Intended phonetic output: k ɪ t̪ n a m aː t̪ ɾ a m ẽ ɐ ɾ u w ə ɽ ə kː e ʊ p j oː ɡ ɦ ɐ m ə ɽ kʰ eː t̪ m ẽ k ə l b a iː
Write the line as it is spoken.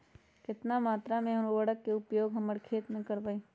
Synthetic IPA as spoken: k ɪ t̪ n a m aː t̪ ɾ a m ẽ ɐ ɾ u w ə ɽ ə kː e ʊ p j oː ɡ ɦ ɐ m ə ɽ kʰ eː t̪ m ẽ k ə ɾ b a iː